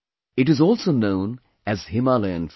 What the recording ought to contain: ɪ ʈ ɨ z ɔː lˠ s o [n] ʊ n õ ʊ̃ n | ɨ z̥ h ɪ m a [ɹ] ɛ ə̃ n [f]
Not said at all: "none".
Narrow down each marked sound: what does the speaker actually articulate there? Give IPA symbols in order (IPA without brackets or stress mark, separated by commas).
none, l, f